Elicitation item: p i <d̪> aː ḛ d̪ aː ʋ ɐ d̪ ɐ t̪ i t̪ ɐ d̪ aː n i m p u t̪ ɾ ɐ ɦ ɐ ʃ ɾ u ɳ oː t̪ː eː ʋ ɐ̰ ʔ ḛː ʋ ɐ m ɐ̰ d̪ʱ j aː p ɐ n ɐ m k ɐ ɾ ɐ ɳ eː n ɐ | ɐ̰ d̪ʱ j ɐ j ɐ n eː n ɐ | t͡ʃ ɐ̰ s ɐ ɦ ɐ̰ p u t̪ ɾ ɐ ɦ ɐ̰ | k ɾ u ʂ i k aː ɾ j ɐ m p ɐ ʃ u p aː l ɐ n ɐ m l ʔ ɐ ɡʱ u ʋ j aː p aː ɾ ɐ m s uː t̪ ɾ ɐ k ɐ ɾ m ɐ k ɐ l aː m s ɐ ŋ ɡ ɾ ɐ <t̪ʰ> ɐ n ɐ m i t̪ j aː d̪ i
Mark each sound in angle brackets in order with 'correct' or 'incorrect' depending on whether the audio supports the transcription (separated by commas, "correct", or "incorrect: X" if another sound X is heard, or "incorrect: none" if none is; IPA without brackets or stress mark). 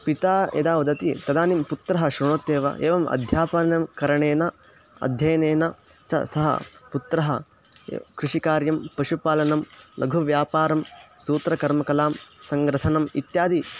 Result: incorrect: t̪, correct